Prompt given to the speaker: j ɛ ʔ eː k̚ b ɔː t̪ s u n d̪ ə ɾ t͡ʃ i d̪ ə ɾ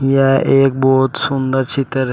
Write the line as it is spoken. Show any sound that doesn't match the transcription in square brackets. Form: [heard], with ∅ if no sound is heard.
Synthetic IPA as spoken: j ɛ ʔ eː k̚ b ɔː t̪ s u n d̪ ə ɾ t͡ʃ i [t̪] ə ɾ